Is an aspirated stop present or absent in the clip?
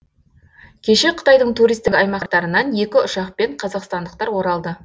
present